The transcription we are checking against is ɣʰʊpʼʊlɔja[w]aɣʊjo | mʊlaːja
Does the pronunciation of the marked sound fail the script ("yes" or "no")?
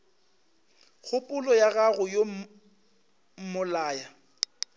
yes